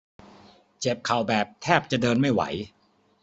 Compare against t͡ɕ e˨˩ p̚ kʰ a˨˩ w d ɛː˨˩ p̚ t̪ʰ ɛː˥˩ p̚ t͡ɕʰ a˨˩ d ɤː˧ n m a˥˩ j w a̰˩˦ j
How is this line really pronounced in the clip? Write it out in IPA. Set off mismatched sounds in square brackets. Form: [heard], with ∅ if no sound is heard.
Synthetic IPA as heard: t͡ɕ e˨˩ p̚ kʰ a˨˩ w [b] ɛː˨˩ p̚ t̪ʰ ɛː˥˩ p̚ [t͡ɕ] a˨˩ d ɤː˧ n m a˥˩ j w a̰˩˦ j

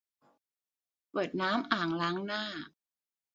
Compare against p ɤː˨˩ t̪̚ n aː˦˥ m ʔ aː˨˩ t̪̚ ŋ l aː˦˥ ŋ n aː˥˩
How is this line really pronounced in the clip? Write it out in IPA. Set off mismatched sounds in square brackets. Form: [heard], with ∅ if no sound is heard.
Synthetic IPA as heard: p ɤː˨˩ t̪̚ n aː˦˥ m ʔ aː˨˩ [∅] ŋ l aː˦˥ ŋ n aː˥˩

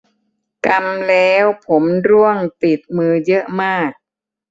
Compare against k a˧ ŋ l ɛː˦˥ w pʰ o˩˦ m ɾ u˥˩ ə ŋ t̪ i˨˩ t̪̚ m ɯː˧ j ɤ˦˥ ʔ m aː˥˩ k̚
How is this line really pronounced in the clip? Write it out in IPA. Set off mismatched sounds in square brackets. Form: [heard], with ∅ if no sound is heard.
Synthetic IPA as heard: k a˧ [m] l ɛː˦˥ w pʰ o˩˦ m ɾ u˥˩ ə ŋ t̪ i˨˩ t̪̚ m ɯː˧ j ɤ˦˥ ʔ m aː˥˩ k̚

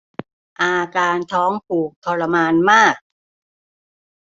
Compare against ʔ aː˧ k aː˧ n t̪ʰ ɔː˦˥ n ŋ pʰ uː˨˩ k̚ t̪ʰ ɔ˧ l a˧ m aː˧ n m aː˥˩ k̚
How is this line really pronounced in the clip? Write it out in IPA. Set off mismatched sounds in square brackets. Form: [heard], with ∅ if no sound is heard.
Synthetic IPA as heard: ʔ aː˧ k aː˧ n t̪ʰ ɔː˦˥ [∅] ŋ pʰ uː˨˩ k̚ t̪ʰ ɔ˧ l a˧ m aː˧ n m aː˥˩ k̚

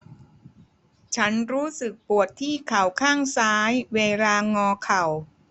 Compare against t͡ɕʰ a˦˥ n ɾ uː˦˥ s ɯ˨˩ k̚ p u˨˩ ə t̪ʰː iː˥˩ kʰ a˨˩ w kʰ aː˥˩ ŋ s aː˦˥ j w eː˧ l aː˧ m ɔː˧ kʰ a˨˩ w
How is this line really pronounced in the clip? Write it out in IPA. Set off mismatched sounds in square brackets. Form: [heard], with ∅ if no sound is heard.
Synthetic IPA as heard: t͡ɕʰ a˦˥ n ɾ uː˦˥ s ɯ˨˩ k̚ p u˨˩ ə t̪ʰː iː˥˩ kʰ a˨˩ w kʰ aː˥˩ ŋ s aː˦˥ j w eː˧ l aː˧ [ŋ] ɔː˧ kʰ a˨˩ w

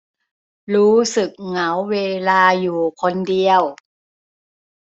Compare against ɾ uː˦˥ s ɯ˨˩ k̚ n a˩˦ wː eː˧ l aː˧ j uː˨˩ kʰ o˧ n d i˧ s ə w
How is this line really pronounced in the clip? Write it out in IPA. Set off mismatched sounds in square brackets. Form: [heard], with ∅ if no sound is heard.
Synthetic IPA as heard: ɾ uː˦˥ s ɯ˨˩ k̚ [ŋ] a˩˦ wː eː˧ l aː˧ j uː˨˩ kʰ o˧ n d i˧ [∅] ə w

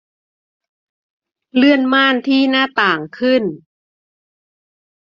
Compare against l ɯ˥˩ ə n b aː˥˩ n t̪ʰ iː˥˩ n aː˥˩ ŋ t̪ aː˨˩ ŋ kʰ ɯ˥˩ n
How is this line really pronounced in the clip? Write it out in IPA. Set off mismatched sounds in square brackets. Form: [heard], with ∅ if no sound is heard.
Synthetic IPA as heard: l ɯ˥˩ ə n [m] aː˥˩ n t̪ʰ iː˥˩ n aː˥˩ [∅] t̪ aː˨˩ ŋ kʰ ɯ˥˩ n

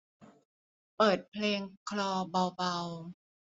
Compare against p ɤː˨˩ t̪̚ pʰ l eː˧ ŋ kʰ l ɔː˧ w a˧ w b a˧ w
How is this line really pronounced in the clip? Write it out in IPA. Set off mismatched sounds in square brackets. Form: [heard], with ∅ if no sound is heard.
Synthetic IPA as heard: p ɤː˨˩ t̪̚ pʰ l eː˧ ŋ kʰ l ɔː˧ [b] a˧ w b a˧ w

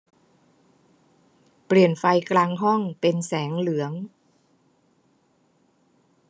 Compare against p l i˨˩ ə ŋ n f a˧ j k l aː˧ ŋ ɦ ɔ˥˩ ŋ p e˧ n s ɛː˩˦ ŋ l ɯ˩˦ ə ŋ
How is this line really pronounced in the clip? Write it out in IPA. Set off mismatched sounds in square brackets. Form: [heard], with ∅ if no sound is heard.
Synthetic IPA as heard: p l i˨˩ ə [∅] n f a˧ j k l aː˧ ŋ ɦ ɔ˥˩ ŋ p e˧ n s ɛː˩˦ ŋ l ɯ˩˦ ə ŋ

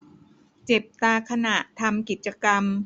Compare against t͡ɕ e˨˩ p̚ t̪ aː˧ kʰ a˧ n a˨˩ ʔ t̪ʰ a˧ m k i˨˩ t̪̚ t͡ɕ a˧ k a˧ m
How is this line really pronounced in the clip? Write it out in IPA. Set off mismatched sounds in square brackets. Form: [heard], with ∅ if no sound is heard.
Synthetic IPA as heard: t͡ɕ e˨˩ p̚ t̪ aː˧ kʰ a˧ n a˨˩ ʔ t̪ʰ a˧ m k i˨˩ t̪̚ t͡ɕ a˧ k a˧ m

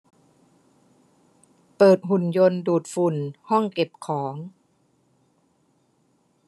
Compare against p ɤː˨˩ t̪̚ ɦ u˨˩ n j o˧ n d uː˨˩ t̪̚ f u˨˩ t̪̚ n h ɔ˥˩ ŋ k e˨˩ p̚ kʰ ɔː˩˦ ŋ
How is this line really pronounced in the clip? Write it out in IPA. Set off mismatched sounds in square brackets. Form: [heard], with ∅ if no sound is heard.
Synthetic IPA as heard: p ɤː˨˩ t̪̚ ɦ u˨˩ n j o˧ n d uː˨˩ t̪̚ f u˨˩ [∅] n h ɔ˥˩ ŋ k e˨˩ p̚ kʰ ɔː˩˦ ŋ

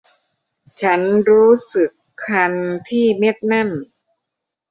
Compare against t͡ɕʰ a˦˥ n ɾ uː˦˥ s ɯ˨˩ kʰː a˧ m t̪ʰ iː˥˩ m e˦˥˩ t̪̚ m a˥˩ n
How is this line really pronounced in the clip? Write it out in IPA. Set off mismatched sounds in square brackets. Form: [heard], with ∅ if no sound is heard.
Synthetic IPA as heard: t͡ɕʰ a˦˥ n ɾ uː˦˥ s ɯ˨˩ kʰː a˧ [n] t̪ʰ iː˥˩ m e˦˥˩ t̪̚ [n] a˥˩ n

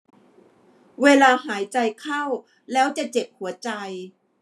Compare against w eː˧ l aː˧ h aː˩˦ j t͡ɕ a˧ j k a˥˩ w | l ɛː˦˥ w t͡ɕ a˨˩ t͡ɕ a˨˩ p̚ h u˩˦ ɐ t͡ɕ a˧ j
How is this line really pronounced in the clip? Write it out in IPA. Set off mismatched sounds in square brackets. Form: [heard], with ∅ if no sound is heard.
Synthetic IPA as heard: w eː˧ l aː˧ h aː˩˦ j t͡ɕ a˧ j [kʰ] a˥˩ w | l ɛː˦˥ w t͡ɕ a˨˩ t͡ɕ [e˨˩] p̚ h u˩˦ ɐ t͡ɕ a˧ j

